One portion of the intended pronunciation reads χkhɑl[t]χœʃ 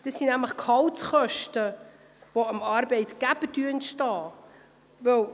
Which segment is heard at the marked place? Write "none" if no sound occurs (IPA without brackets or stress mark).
t